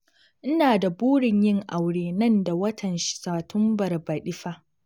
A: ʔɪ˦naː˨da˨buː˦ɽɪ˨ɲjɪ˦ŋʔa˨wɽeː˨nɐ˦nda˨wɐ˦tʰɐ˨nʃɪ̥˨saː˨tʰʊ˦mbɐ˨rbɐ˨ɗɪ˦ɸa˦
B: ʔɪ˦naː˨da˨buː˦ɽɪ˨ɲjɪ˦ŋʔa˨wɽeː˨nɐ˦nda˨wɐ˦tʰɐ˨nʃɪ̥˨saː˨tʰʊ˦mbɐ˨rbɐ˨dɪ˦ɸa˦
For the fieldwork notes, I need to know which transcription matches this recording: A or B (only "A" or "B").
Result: A